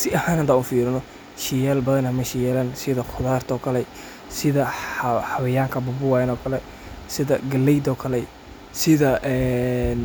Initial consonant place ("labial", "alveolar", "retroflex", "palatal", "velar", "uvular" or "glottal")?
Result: alveolar